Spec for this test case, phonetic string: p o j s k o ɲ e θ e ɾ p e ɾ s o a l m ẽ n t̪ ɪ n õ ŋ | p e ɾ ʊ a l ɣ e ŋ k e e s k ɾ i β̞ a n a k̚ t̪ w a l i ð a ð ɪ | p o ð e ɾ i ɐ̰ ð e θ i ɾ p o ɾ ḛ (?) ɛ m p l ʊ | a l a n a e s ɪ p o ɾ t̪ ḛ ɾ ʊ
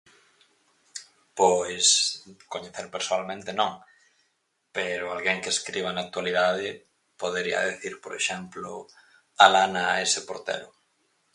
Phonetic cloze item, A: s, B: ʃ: B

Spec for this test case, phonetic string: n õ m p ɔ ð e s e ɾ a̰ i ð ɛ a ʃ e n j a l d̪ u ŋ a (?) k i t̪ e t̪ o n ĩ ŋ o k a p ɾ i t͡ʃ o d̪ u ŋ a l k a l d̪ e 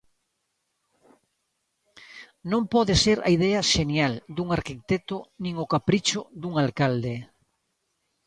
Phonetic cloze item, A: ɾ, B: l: A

